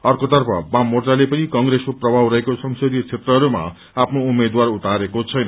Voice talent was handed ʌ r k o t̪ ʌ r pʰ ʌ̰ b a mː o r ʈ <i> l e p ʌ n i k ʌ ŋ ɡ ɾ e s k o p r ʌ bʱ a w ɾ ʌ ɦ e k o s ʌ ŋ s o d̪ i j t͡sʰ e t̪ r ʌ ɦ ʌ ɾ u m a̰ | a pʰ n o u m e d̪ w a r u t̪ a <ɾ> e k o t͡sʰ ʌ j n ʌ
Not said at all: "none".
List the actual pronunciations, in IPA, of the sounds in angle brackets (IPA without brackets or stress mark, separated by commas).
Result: a, ɾ